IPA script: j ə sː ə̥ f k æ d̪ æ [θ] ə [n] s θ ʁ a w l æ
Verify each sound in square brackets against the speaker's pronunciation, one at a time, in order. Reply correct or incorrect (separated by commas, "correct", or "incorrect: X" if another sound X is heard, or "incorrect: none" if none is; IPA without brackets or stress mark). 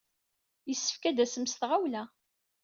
incorrect: s, incorrect: m